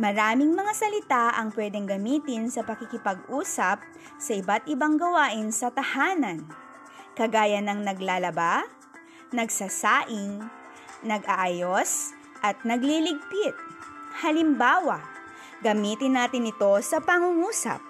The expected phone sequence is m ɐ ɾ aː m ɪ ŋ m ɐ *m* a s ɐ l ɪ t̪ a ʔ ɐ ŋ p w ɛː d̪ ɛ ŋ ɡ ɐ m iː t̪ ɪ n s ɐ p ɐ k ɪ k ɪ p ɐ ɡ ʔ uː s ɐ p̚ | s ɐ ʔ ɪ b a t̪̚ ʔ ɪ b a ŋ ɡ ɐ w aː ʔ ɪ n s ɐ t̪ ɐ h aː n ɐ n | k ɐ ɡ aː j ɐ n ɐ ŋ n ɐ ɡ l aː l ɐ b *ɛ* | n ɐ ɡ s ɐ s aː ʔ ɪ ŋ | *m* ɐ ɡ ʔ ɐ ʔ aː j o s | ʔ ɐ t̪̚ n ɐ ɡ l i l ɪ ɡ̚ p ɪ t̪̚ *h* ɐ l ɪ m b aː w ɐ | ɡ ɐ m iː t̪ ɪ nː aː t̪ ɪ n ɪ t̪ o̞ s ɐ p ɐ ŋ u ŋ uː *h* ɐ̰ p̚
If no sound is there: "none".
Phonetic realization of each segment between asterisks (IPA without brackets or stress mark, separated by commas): ŋ, a, n, h, s